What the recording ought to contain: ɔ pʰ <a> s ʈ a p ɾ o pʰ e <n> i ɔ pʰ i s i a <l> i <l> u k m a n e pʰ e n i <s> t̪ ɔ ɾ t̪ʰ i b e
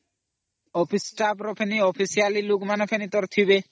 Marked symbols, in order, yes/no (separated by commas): no, yes, yes, yes, no